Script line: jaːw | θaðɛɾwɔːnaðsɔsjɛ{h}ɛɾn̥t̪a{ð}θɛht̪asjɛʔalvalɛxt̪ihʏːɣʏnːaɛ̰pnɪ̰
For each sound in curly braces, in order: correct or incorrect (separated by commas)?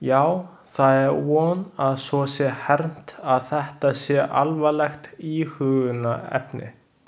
correct, correct